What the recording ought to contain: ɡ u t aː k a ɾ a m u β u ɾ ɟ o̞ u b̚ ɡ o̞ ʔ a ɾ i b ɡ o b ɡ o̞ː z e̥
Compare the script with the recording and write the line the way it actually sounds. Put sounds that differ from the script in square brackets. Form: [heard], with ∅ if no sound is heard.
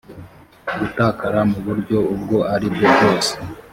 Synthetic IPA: ɡ u t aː k a ɾ a m u β u ɾ ɟ o̞ u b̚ ɡ o̞ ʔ a ɾ i b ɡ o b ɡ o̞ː [s] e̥